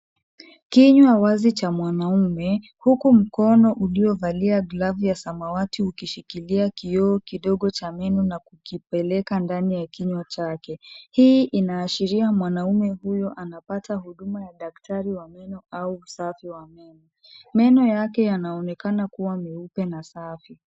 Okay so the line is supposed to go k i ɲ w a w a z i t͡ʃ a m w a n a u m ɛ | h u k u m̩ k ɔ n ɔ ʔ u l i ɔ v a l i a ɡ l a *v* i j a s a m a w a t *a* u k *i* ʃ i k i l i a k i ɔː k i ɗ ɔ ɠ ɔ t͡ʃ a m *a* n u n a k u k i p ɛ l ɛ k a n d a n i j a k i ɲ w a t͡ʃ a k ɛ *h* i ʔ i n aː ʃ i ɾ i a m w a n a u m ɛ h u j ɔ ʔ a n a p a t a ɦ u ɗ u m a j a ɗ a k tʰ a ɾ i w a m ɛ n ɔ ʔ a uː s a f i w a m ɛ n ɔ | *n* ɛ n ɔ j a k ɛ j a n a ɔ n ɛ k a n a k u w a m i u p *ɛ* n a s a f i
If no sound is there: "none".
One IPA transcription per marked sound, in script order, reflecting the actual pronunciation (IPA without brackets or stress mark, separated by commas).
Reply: v, i, i, ɛ, h, m, ɛ